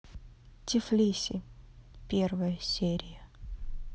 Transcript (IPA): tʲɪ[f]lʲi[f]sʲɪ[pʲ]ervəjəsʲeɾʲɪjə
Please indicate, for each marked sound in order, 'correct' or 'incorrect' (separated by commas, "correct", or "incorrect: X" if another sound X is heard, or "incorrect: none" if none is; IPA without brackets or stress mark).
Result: correct, incorrect: none, correct